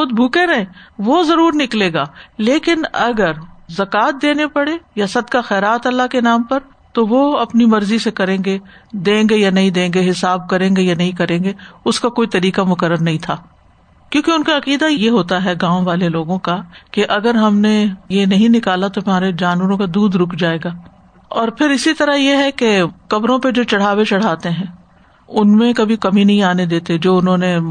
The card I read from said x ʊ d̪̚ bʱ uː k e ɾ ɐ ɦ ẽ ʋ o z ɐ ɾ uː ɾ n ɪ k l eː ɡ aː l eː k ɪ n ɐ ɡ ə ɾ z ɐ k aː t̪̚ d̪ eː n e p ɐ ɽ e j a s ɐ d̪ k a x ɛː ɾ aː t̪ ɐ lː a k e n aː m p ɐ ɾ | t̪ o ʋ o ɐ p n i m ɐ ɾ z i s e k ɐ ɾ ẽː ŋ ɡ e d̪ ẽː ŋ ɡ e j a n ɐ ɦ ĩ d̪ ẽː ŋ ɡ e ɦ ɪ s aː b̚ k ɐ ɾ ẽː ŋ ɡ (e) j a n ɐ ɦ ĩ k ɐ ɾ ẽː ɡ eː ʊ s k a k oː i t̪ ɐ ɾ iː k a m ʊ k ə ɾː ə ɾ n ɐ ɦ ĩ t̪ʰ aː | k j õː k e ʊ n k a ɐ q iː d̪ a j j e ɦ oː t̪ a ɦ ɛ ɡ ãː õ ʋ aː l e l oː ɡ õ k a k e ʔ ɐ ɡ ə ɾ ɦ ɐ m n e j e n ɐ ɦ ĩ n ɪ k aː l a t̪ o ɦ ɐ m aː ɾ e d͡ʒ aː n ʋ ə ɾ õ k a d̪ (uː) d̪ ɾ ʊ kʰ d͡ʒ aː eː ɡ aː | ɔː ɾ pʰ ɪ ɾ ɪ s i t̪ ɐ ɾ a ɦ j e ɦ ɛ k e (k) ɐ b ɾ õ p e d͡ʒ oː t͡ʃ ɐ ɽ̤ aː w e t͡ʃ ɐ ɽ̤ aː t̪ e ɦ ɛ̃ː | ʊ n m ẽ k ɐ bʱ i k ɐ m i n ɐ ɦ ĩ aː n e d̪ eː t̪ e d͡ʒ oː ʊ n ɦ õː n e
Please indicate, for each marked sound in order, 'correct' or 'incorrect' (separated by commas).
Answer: correct, correct, correct